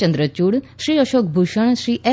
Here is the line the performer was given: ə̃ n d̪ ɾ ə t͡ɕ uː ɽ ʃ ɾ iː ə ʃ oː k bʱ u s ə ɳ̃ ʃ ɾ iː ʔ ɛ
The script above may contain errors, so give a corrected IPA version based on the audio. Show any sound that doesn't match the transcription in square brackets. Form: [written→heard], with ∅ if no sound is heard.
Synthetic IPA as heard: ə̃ n d̪ ɾ ə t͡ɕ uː ɽ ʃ ɾ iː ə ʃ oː k bʱ u [s→ʃ] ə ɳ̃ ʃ ɾ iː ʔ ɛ